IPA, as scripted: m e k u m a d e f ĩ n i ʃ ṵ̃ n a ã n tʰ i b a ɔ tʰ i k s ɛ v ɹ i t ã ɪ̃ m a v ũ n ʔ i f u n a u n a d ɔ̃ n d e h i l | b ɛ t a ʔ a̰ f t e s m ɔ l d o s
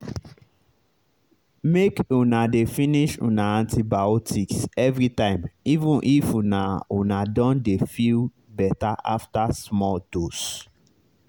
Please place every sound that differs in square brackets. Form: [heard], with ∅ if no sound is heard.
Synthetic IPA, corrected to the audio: m e k u [n] a d e f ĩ n i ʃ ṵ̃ n a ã n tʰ i b a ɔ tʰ i k s ɛ v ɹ i t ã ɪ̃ m [i] v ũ n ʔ i f u n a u n a d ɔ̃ n d e [f] i l | b ɛ t a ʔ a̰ f t [a] s m ɔ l d o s